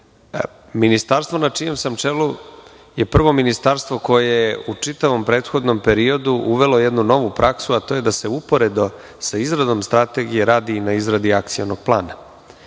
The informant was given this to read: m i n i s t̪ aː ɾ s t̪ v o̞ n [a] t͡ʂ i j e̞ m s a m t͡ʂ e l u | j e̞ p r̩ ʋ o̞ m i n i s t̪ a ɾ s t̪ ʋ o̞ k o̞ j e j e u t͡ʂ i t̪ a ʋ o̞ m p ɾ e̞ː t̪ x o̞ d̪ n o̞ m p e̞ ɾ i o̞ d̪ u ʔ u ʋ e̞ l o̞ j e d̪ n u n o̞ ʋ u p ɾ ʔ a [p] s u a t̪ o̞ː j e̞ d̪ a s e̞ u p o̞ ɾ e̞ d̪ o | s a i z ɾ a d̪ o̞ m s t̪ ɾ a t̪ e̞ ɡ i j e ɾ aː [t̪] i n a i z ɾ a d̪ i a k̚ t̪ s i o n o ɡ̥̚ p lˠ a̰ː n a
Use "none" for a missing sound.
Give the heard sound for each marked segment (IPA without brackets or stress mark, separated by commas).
a, k, d̪